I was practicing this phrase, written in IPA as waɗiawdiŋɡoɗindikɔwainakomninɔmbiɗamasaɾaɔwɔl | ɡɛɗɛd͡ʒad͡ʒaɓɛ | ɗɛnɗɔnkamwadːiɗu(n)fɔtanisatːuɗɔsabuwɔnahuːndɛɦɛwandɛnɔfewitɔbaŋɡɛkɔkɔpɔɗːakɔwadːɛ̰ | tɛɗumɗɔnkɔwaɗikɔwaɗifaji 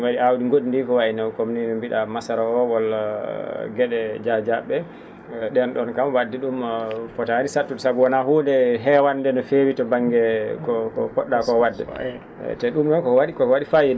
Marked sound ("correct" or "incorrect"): incorrect